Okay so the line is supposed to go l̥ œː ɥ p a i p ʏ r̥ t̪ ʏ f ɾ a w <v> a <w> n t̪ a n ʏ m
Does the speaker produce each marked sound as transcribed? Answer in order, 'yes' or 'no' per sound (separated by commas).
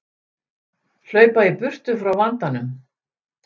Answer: yes, no